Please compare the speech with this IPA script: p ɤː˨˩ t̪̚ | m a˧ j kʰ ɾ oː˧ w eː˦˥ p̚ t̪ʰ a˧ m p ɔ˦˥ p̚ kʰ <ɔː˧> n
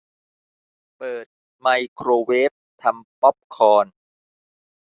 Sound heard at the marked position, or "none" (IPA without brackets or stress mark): ɔː˧